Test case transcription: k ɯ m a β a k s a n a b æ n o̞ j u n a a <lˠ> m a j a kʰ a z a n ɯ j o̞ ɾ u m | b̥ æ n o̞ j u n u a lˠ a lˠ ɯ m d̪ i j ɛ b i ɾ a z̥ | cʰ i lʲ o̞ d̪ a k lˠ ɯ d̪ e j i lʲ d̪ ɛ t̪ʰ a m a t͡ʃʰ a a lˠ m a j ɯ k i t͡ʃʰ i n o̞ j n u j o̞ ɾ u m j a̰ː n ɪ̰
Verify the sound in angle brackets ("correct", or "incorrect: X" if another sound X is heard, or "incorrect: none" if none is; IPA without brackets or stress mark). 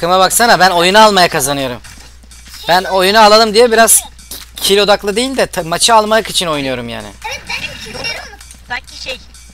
correct